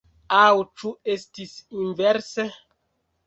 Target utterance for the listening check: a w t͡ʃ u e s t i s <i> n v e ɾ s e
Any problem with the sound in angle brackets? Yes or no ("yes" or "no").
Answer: no